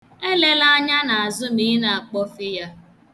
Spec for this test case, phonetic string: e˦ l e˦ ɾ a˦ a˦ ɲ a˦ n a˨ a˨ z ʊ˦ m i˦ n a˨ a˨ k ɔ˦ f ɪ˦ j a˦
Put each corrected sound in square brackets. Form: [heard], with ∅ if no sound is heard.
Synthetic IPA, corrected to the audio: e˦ l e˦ [l] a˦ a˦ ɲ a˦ n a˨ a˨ z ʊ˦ m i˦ n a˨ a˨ [k͡p] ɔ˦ f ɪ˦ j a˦